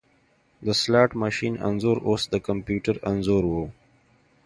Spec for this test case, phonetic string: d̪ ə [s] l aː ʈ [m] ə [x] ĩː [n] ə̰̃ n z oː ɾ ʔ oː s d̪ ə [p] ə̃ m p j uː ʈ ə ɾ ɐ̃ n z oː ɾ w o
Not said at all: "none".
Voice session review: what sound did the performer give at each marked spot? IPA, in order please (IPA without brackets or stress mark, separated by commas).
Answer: s, m, ʃ, n, k